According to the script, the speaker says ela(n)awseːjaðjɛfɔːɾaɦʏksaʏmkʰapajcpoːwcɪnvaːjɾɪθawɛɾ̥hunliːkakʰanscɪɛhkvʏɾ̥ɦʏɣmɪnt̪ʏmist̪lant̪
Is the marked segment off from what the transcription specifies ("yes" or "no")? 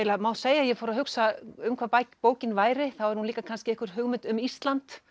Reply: yes